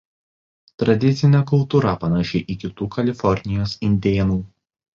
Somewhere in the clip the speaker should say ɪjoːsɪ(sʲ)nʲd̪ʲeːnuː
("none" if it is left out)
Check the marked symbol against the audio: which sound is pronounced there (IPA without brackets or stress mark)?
none